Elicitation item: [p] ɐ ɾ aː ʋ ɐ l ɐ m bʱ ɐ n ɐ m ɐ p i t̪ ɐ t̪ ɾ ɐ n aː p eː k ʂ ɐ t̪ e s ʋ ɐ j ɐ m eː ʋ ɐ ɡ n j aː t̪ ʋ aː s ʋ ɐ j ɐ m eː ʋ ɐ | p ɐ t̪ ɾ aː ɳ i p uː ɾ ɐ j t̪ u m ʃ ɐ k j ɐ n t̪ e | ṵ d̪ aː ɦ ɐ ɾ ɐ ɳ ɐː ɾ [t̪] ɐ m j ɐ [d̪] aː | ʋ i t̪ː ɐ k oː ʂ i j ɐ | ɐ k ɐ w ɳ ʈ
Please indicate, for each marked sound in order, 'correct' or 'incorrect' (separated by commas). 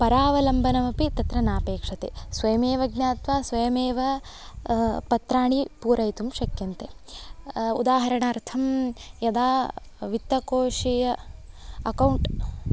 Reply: correct, incorrect, correct